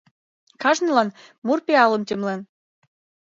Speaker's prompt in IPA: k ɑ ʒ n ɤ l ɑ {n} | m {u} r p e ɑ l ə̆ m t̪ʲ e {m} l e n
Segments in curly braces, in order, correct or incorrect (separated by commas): correct, correct, correct